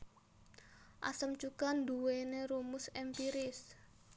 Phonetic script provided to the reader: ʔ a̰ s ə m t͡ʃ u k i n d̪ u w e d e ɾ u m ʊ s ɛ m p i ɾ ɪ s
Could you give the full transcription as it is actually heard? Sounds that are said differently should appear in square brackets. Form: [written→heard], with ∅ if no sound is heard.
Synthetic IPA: ʔ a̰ s ə m t͡ʃ u k [i→a] n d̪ u w e [d→n] e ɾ u m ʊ s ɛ m p i ɾ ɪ s